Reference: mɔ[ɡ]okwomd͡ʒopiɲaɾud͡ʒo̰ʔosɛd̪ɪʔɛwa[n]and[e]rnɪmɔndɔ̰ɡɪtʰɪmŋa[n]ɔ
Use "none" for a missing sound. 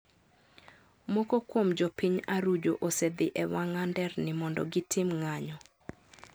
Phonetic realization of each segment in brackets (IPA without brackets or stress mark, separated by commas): k, ŋ, ɛ, ɲ